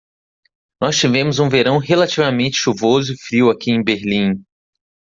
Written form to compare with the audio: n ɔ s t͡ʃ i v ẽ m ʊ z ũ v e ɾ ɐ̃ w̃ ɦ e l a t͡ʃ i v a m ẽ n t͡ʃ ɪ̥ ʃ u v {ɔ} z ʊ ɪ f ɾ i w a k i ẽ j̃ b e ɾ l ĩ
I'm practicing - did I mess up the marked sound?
yes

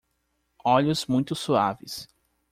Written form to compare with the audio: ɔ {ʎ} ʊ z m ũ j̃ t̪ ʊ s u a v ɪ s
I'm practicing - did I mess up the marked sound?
no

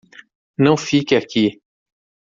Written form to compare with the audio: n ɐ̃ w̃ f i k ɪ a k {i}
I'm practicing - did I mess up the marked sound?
no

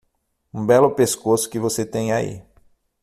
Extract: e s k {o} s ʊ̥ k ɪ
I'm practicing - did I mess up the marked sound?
no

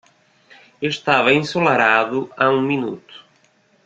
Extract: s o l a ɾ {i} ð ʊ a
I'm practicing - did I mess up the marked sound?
yes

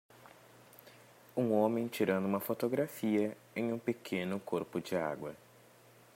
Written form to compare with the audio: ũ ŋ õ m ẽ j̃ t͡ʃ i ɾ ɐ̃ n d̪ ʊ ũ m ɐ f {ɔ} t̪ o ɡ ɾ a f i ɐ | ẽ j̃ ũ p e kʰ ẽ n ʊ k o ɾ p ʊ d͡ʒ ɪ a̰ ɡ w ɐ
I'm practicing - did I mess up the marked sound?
yes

